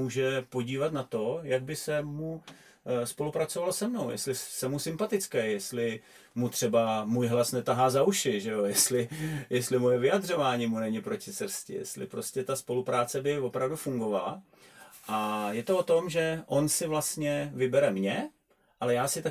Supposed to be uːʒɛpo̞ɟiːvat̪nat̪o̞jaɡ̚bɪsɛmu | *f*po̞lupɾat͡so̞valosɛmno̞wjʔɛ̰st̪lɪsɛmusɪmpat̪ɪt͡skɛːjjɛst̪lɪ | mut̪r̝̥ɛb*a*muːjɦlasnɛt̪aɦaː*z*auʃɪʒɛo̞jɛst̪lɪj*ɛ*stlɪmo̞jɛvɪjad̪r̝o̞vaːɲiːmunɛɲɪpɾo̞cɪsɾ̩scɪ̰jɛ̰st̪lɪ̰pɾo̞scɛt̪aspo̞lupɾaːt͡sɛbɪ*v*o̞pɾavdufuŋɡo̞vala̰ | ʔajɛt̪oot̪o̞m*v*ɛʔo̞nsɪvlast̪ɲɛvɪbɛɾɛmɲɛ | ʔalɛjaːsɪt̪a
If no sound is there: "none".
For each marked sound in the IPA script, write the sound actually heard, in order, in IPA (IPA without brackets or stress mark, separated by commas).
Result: s, a, z, ɛ, v, ʒ